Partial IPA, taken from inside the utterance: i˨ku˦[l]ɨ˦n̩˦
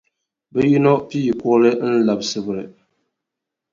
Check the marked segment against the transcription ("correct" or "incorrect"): correct